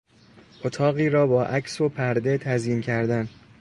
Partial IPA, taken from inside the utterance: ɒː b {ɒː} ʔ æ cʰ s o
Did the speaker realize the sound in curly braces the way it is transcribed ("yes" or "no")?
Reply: yes